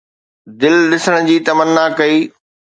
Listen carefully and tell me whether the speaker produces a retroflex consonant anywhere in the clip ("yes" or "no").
yes